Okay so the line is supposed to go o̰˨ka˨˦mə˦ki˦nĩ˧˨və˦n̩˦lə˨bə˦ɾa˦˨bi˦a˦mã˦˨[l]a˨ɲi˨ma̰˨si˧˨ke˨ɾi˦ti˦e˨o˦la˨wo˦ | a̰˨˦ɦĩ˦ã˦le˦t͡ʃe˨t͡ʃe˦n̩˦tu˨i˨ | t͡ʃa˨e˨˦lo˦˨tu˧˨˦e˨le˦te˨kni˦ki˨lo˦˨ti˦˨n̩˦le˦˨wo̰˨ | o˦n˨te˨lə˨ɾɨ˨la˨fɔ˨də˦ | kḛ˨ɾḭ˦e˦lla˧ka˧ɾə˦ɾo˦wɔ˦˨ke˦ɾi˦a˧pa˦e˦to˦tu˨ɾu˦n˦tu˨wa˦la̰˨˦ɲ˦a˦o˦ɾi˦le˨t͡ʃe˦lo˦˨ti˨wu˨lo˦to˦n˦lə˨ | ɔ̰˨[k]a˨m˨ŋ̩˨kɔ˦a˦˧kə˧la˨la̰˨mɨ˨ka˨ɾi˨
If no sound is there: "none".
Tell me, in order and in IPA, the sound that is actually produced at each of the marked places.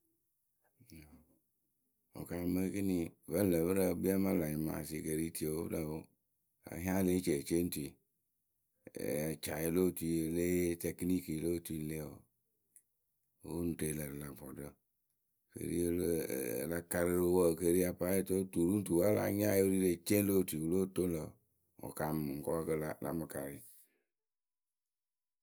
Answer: l, k

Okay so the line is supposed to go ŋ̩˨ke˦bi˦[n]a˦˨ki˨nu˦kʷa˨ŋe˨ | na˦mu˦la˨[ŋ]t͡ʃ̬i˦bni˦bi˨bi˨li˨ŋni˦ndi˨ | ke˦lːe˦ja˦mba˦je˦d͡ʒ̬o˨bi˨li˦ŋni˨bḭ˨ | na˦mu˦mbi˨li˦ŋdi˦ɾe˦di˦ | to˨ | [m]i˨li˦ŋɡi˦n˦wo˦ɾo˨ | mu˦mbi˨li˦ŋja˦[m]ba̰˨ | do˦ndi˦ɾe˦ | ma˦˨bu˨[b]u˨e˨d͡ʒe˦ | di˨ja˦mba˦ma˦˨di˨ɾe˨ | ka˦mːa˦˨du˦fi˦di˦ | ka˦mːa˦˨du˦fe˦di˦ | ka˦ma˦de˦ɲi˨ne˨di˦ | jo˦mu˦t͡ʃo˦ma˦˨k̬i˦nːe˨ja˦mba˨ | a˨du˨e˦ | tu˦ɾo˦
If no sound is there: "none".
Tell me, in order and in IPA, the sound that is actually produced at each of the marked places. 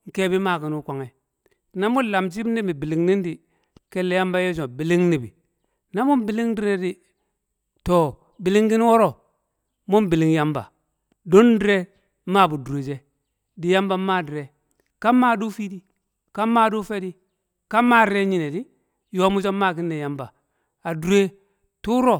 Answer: m, m, b, m, d

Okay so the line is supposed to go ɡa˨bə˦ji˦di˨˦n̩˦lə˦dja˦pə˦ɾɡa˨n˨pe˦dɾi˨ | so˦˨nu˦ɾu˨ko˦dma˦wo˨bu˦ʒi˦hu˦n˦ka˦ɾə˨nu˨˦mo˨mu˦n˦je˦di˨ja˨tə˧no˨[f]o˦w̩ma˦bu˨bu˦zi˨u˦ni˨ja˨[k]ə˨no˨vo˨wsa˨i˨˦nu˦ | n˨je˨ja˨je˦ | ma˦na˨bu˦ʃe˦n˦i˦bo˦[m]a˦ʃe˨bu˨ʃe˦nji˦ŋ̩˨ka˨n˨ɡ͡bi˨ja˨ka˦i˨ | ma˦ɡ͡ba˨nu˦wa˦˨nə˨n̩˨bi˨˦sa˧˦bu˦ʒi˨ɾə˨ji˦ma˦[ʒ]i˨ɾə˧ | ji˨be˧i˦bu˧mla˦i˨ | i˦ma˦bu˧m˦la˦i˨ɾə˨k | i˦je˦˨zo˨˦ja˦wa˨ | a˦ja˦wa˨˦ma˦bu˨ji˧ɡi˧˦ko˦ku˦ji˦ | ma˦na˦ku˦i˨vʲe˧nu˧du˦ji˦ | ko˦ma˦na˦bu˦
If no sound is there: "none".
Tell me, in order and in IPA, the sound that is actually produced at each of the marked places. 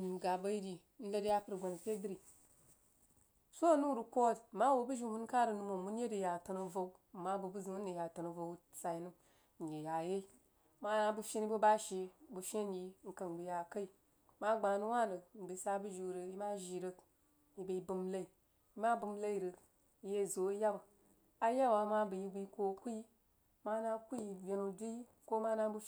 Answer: v, t, b, ʒ

